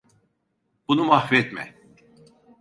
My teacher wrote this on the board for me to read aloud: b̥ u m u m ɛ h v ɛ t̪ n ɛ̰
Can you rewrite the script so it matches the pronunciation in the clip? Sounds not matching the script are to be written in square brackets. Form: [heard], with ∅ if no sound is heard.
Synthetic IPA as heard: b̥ u [n] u m [a] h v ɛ t̪ [m] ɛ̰